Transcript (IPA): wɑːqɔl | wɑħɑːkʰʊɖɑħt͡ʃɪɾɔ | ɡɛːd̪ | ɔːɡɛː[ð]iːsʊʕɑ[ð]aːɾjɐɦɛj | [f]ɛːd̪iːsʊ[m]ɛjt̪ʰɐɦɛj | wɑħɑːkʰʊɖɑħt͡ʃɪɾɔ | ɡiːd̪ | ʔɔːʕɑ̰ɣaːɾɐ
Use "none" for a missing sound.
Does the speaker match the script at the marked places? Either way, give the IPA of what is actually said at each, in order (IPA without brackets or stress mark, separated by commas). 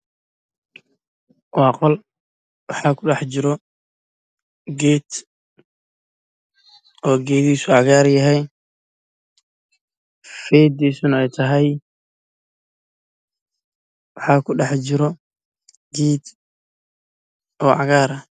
ð, ɣ, f, n